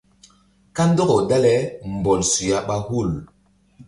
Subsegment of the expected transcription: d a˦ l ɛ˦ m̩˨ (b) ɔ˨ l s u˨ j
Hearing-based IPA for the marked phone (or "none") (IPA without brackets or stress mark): b